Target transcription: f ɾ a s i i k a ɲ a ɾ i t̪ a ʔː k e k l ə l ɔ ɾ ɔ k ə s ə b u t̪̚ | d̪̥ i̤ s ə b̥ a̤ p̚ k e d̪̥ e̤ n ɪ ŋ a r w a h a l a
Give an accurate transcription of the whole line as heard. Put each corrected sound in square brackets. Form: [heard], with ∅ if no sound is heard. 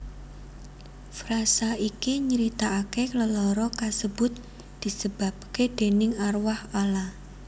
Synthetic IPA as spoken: f ɾ a s [a] i k [i] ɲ [ə] ɾ i t̪ a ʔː k e k l ə l ɔ ɾ ɔ k [a] s ə b [ʊ] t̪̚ | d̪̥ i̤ s ə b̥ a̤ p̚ k e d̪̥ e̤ n ɪ ŋ a r w a h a l a